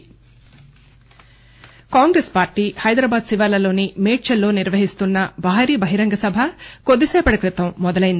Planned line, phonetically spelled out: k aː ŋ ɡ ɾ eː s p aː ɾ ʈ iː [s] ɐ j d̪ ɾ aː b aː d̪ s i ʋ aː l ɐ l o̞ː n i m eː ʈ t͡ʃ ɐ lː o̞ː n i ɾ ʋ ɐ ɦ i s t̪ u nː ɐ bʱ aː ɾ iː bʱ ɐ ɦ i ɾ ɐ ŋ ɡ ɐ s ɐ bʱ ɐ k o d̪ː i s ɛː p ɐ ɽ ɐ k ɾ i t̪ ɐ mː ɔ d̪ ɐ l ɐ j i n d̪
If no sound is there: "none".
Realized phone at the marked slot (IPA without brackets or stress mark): h